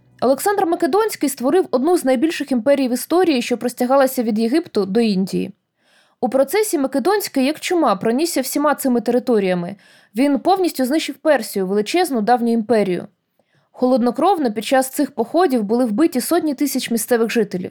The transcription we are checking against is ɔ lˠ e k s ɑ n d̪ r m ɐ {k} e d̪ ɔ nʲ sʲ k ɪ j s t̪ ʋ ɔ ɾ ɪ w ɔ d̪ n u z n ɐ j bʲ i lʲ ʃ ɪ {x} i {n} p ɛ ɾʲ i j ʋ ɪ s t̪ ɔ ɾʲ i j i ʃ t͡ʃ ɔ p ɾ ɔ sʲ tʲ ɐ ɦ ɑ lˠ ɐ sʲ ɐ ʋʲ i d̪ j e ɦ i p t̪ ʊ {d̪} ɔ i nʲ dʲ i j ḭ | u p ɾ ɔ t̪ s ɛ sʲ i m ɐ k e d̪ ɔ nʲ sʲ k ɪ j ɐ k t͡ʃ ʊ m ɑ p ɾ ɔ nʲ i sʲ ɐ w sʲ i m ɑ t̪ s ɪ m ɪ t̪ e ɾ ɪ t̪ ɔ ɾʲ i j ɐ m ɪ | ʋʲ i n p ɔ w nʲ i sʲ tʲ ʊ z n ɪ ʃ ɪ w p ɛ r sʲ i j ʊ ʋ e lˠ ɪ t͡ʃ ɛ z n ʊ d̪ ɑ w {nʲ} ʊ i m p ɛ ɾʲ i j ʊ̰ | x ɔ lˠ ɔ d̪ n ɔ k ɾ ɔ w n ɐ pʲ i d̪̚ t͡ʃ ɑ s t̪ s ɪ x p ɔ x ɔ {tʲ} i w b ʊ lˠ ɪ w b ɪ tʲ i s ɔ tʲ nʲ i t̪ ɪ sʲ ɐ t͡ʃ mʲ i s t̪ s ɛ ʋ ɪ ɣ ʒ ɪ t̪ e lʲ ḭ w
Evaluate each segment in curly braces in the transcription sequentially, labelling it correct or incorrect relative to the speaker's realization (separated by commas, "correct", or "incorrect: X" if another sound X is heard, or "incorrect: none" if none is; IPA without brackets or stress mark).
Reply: correct, correct, incorrect: m, correct, correct, incorrect: dʲ